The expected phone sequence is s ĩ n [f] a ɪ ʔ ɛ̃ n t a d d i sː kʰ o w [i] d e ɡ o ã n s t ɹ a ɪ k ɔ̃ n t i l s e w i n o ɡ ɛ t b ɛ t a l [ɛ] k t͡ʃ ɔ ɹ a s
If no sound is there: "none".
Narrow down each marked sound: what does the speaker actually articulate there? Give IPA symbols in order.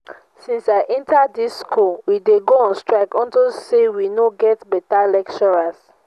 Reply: s, i, ɛ

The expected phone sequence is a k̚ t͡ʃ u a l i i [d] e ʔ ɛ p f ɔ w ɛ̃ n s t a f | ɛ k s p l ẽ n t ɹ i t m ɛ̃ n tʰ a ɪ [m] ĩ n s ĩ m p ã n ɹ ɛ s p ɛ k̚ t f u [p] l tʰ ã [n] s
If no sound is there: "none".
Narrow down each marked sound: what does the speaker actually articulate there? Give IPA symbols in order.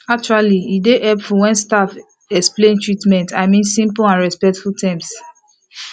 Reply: d, m, none, m

